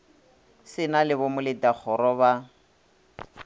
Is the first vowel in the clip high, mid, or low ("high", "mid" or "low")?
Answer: high